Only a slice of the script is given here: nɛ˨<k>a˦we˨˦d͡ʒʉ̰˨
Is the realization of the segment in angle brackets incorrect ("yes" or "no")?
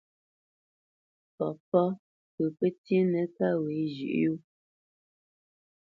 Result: no